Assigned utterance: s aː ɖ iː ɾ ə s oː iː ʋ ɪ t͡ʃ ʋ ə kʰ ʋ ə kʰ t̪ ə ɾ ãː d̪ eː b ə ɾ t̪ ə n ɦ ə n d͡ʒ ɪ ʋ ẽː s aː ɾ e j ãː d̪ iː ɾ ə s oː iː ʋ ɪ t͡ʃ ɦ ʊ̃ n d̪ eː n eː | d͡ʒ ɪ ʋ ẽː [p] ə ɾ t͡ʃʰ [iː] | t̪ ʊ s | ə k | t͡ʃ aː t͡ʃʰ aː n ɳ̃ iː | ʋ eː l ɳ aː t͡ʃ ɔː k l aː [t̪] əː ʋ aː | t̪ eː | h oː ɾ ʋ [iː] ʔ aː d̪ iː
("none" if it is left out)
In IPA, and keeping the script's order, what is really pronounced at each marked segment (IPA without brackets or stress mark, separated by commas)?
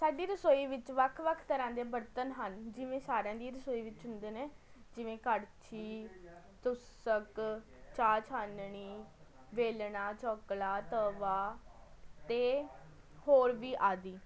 k, iː, t̪, iː